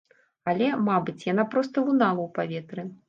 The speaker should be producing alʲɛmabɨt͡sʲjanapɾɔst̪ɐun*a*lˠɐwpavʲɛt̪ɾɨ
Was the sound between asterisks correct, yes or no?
yes